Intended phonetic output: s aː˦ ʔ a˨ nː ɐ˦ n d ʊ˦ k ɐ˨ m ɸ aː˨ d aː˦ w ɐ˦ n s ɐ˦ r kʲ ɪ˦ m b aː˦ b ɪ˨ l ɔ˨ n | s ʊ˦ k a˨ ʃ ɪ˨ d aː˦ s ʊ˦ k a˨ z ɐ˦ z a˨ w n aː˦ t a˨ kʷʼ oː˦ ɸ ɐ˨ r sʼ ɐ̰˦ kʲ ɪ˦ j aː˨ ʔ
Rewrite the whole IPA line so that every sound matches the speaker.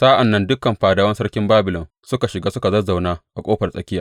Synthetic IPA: s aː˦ ʔ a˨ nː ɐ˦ n d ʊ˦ k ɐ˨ m ɸ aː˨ d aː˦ w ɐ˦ n s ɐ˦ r kʲ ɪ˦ m b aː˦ b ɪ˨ l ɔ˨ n | s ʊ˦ k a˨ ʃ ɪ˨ ɡ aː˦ s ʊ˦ k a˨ z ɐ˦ z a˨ w n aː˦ ʔ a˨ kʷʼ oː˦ ɸ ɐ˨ r sʼ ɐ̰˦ kʲ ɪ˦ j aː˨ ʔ